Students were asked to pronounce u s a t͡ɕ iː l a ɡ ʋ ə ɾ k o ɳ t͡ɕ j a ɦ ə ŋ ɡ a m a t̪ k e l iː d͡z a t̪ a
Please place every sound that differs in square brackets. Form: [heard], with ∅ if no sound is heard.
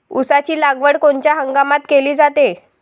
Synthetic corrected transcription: u s a t͡ɕ iː l a ɡ ʋ ə [ɽ] k o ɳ t͡ɕ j a ɦ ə ŋ ɡ a m a t̪ k e l iː d͡z a t̪ [e]